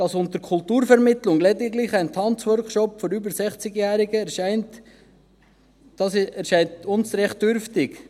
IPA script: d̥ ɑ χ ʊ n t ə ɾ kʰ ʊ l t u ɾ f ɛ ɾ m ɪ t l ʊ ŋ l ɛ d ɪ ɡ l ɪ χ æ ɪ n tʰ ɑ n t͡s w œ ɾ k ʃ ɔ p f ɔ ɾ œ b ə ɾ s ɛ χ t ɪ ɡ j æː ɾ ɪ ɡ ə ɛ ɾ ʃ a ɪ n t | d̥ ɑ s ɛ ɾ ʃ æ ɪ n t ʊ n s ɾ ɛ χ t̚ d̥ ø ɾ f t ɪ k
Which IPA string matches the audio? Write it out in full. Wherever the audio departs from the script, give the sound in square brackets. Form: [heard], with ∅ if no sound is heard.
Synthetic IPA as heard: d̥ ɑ [s] ʊ n t ə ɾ kʰ ʊ l t [uː] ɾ f ɛ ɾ m ɪ t l ʊ ŋ l ɛ d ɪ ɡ l ɪ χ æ ɪ n tʰ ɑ n t͡s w œ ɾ k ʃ ɔ p f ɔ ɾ [y] b ə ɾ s ɛ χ [t͡s] ɪ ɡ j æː ɾ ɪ ɡ ə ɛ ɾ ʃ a ɪ n t | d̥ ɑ s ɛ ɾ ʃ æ ɪ n t ʊ n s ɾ ɛ χ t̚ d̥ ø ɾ f t ɪ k